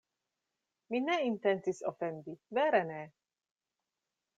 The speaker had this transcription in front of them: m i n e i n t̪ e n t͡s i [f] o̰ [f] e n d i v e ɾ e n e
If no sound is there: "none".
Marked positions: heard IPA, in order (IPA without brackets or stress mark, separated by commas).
s, f